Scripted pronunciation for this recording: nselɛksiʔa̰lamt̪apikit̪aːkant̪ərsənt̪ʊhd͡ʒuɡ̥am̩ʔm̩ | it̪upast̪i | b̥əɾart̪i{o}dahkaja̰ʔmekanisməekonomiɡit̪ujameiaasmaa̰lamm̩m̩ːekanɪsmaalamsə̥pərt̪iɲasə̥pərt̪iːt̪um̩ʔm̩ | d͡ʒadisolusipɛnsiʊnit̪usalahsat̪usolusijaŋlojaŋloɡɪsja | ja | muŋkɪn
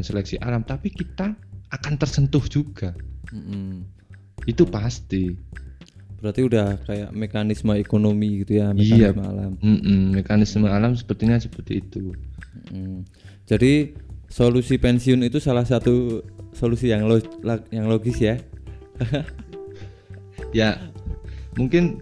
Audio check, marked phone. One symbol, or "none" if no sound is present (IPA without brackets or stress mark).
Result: u